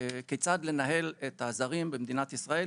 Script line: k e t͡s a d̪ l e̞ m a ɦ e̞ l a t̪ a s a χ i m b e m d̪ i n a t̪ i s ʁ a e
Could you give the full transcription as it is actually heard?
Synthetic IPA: k e t͡s a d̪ l e̞ n a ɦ e̞ l e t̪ a z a ʁ i m b e m d̪ i n a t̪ i s ʁ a e